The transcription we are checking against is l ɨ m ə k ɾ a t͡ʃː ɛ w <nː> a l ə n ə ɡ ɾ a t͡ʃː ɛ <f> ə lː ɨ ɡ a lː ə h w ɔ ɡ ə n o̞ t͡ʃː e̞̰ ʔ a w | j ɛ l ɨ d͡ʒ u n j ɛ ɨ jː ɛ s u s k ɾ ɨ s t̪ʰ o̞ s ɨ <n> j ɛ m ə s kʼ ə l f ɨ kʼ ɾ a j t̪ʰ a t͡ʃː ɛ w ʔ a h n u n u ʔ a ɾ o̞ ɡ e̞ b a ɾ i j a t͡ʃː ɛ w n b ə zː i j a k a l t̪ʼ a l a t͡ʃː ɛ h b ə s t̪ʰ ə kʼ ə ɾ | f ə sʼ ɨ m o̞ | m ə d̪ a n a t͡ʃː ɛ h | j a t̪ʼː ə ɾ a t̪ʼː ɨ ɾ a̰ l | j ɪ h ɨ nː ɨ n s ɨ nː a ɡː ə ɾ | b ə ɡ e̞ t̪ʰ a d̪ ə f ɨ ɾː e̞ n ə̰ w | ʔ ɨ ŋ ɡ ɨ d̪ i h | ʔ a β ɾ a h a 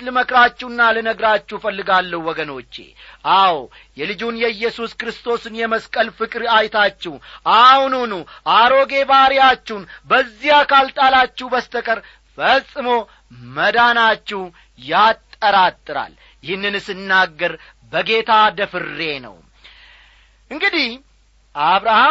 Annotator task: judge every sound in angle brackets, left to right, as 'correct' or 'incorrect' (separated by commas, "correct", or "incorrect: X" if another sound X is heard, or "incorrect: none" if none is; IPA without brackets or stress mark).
correct, correct, correct